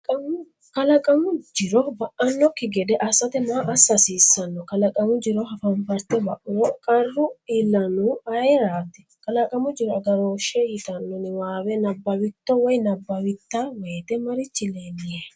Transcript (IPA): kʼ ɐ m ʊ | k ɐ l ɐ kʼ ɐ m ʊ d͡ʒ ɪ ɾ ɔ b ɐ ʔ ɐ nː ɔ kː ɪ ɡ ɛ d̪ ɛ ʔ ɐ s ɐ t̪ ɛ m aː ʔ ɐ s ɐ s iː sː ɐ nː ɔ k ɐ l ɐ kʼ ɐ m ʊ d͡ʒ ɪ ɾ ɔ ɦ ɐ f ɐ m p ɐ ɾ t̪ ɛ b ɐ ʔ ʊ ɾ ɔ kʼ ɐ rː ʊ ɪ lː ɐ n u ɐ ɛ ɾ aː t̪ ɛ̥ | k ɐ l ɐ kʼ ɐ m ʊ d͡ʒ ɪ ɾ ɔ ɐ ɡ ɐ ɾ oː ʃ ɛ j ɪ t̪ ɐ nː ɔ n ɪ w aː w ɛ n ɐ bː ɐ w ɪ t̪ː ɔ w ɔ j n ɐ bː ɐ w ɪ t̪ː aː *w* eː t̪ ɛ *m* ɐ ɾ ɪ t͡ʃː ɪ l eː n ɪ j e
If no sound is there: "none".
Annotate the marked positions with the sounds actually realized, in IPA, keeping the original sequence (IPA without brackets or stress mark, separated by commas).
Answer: w, m